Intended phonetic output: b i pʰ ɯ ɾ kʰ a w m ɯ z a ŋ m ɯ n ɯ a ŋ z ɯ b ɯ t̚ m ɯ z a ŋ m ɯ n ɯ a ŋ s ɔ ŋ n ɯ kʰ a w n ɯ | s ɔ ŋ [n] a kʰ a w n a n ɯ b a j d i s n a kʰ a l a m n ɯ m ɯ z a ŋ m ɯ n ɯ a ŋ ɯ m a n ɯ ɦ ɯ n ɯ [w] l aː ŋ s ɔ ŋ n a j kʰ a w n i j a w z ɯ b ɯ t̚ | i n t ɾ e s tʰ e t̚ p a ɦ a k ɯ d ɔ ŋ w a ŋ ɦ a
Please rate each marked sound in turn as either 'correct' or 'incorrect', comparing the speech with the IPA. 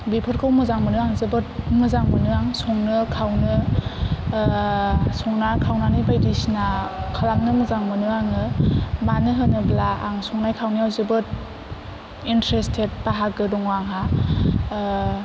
correct, incorrect

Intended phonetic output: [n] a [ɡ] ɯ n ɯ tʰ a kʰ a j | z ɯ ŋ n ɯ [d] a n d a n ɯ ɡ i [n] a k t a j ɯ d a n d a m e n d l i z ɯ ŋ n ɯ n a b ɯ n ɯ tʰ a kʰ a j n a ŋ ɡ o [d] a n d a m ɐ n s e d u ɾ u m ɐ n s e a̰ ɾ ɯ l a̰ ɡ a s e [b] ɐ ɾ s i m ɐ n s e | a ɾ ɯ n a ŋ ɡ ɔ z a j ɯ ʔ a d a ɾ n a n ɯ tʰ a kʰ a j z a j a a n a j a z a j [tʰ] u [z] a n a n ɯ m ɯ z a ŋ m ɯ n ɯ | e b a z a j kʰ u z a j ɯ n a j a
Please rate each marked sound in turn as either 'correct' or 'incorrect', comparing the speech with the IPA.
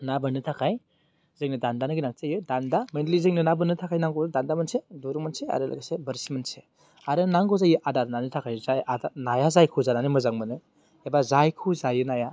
correct, incorrect, correct, correct, correct, correct, incorrect, correct

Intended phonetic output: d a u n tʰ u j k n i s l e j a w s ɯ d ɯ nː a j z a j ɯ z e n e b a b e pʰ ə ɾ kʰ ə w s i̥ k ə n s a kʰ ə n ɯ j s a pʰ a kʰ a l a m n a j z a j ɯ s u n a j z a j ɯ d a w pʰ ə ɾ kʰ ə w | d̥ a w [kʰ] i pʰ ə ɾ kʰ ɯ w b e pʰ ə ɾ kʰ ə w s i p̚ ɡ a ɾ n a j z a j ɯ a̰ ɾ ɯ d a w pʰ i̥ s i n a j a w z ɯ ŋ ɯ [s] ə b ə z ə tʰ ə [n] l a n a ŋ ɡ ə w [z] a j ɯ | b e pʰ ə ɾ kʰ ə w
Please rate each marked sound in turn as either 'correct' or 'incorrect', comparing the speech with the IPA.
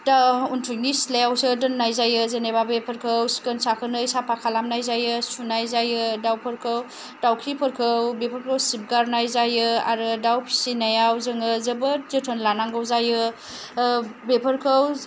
correct, incorrect, correct, correct

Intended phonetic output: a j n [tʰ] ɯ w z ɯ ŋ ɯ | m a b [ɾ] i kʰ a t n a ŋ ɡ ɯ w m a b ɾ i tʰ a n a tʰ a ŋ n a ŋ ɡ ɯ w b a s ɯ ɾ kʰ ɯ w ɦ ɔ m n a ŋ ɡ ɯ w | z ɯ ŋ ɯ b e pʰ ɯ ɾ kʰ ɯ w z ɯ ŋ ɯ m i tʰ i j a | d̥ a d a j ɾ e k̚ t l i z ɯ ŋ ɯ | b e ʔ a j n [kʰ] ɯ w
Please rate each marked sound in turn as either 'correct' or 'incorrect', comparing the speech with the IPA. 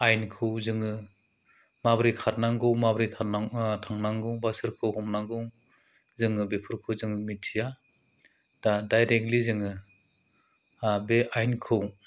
incorrect, correct, correct

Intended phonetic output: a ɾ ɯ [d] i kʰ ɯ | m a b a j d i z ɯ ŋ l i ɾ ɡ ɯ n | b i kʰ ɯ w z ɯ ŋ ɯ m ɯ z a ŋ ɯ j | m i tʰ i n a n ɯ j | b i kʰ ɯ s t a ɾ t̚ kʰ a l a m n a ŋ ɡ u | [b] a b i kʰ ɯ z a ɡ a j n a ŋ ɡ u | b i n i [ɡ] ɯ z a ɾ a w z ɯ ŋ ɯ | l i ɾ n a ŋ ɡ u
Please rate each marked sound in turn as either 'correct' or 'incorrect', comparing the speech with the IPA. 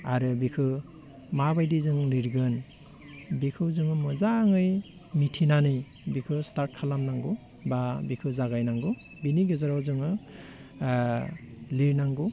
incorrect, correct, correct

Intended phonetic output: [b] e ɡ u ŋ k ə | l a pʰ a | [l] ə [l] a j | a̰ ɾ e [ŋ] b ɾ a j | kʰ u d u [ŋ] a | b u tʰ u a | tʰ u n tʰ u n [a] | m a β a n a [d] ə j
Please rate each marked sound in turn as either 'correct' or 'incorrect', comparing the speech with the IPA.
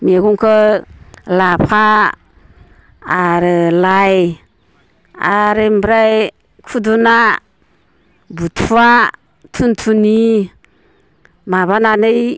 incorrect, incorrect, correct, incorrect, incorrect, incorrect, incorrect

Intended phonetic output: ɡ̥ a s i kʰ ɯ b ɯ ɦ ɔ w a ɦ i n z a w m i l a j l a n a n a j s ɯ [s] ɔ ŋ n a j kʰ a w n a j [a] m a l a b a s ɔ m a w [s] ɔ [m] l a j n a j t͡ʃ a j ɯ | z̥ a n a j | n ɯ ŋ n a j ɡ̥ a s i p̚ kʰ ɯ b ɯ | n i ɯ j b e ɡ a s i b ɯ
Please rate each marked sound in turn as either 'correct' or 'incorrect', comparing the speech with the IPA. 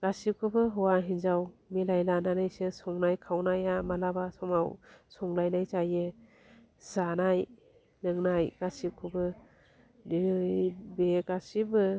correct, correct, correct, incorrect

